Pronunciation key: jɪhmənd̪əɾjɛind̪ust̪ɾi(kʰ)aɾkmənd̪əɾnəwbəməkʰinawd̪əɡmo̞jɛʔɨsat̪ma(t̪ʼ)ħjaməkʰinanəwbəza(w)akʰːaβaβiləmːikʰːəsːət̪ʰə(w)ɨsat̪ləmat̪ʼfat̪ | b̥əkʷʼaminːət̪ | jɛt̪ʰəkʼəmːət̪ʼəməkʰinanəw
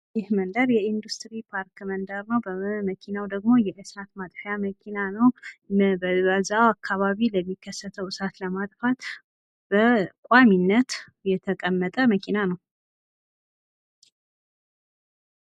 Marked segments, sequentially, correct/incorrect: incorrect: pʰ, correct, correct, correct

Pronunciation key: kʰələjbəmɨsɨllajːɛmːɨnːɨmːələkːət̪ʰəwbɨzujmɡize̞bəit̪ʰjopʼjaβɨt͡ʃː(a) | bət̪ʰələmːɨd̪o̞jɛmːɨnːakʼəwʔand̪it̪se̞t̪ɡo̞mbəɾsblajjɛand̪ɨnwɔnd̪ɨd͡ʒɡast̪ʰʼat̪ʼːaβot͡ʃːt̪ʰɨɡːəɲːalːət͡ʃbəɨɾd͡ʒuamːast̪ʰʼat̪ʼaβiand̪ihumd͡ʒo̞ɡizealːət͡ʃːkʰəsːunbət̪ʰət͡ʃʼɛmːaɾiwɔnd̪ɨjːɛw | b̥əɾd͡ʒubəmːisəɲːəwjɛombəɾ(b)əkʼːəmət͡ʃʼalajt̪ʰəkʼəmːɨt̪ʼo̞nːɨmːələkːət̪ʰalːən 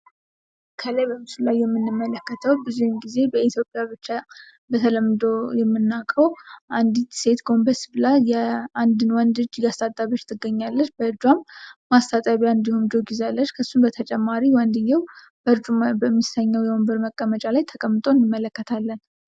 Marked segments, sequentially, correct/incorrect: correct, incorrect: m

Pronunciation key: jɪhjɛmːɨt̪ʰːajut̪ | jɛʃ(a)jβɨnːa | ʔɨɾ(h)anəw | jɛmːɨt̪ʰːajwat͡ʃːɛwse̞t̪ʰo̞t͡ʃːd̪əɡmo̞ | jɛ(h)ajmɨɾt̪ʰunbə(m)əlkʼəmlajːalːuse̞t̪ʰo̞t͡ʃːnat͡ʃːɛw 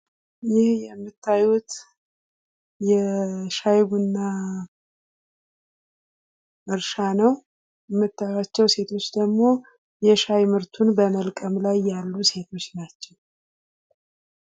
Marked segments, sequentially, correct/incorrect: correct, incorrect: ʃ, incorrect: ʃ, correct

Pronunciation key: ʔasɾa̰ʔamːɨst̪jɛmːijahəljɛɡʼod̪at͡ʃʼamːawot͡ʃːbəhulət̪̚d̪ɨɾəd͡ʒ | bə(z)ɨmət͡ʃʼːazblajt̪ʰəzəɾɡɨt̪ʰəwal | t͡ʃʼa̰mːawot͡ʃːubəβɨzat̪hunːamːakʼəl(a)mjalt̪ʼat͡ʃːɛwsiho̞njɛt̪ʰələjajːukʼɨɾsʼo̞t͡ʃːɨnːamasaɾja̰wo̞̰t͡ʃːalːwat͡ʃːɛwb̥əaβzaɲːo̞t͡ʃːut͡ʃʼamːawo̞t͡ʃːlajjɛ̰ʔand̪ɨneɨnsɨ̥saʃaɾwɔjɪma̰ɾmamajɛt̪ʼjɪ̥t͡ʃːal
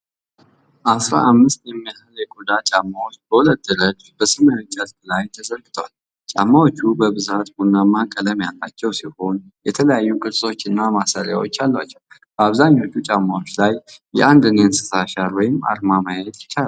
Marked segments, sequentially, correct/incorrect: incorrect: s, incorrect: ə

